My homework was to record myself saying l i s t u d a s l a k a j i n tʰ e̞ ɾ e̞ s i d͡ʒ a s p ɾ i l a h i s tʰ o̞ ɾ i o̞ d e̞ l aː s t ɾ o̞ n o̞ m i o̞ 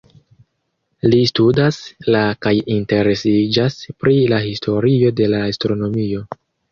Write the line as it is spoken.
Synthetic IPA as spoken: l i s t u d a s l a k a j i n t e̞ ɾ e̞ s i d͡ʒ a s p ɾ i l a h i s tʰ o̞ ɾ i o̞ d e̞ l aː s t ɾ o̞ n o̞ m i o̞

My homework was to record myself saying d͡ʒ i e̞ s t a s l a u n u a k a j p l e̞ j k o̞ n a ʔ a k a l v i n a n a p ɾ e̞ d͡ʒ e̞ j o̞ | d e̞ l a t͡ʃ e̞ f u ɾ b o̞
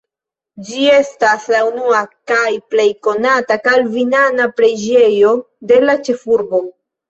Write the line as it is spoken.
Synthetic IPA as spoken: d͡ʒ i e̞ s t a s l a u n u a k a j p l e̞ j k o̞ n a t a k a l v i n a n a p ɾ e̞ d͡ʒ e̞ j o̞ | d e̞ l a t͡ʃ e̞ f u ɾ b o̞

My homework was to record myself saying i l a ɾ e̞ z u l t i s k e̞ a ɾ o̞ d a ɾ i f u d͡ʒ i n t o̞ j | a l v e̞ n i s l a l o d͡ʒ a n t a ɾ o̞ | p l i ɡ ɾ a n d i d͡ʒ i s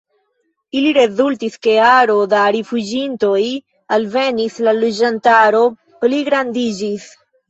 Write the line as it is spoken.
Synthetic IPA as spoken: i l i ɾ e̞ z u l t i s k e̞ a ɾ o̞ d a ɾ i f u d͡ʒ i n t o̞ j | a l v e̞ n i s l a l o d͡ʒ a n t a ɾ o̞ | p l i ɡ ɾ a n d i d͡ʒ i s

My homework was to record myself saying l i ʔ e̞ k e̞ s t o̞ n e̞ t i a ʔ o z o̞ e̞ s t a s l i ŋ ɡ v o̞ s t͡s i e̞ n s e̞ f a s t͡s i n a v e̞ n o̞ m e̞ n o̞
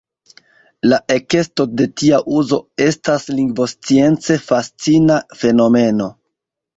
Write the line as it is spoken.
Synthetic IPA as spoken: l a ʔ e̞ k e̞ s t o̞ d e̞ t i a ʔ u z o̞ e̞ s t a s l i ŋ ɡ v o̞ s t͡s i e̞ n t͡s e̞ f a s t͡s i n a f e̞ n o̞ m e̞ n o̞

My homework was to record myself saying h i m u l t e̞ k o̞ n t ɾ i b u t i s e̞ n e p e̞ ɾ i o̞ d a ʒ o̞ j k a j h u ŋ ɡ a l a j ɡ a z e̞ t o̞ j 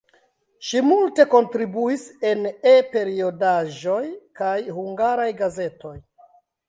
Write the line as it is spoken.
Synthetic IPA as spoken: ʃ i m u l t e̞ k o̞ n t ɾ i b u i s e̞ n e p e̞ ɾ i o̞ d a ʒ o̞ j k a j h u ŋ ɡ a ɾ a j ɡ a z e̞ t o̞ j

